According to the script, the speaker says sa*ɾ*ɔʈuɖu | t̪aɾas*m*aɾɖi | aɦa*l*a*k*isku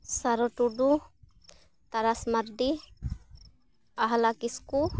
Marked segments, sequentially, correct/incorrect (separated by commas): correct, correct, correct, correct